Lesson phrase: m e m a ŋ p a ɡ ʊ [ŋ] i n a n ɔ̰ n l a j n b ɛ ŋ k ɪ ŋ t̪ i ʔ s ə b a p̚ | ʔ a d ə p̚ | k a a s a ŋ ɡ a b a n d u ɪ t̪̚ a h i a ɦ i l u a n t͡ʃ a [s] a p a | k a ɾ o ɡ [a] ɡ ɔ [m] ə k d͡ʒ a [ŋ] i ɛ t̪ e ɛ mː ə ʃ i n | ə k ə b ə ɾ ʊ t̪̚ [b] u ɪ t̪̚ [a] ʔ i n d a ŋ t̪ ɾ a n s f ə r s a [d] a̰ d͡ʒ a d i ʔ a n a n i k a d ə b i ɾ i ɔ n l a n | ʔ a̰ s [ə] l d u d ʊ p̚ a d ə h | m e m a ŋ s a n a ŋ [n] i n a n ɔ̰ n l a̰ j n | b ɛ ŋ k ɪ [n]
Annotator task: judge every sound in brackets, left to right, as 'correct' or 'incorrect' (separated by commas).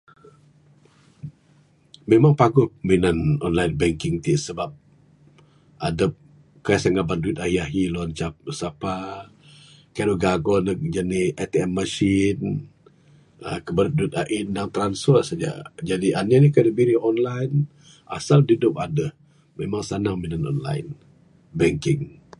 incorrect, correct, correct, incorrect, incorrect, incorrect, correct, incorrect, incorrect, incorrect, incorrect